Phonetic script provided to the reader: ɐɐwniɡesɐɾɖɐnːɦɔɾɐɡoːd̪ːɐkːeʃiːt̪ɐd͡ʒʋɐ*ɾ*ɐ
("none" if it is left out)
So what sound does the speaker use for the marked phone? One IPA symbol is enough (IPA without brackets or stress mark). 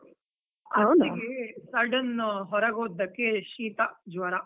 ɾ